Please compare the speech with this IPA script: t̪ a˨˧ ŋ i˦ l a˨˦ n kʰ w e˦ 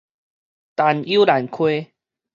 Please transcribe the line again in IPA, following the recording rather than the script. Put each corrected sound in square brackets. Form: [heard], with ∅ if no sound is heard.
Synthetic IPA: t̪ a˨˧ [n] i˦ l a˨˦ n kʰ w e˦